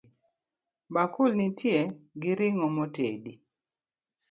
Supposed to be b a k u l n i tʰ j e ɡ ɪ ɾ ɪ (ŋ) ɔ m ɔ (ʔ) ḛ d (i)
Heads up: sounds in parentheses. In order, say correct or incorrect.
correct, incorrect: t, correct

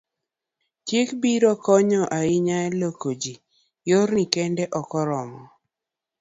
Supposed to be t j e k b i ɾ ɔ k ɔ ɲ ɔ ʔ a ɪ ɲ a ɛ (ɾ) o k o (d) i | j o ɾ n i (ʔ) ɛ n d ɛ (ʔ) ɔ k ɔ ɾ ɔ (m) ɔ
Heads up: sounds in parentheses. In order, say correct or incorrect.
incorrect: l, incorrect: d͡ʒ, incorrect: k, correct, correct

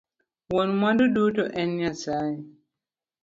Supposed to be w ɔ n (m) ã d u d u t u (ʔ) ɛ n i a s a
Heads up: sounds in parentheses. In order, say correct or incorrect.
correct, correct

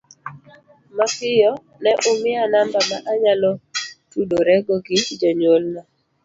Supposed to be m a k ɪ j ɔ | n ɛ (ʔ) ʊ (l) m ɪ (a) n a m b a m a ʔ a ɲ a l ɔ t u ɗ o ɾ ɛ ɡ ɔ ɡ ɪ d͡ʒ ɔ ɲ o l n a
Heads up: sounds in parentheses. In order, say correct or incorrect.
correct, incorrect: none, correct

